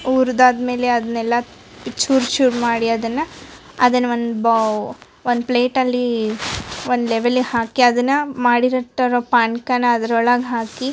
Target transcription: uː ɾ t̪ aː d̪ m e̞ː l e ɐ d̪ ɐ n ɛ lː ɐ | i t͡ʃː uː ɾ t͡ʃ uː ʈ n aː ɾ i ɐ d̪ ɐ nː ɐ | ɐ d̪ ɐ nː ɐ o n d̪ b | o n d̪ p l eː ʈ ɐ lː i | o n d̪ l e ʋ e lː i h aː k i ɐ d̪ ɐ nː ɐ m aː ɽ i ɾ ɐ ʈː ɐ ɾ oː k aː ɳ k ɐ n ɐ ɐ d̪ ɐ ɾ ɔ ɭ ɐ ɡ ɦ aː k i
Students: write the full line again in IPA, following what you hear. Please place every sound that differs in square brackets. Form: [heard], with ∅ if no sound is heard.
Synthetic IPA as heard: uː ɾ [d̪] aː d̪ m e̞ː l e ɐ d̪ ɐ n ɛ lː ɐ | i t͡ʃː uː ɾ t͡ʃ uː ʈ [m] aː [ɽ] i ɐ d̪ ɐ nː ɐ | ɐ d̪ ɐ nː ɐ o n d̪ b | o n d̪ p l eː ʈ ɐ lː i | o n d̪ l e ʋ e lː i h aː k i ɐ d̪ ɐ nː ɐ m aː ɽ i ɾ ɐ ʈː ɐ ɾ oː [p] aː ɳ k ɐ n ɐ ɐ d̪ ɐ ɾ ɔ ɭ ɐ ɡ ɦ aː k i